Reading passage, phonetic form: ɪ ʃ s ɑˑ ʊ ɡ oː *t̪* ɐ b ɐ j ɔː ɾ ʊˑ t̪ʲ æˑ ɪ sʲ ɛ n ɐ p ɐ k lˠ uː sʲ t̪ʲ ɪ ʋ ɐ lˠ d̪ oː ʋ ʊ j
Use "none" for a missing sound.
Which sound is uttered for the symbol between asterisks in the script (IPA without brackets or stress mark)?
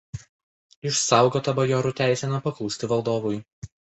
t̪